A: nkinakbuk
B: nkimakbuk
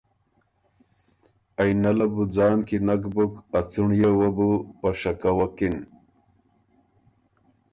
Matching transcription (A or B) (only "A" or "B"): A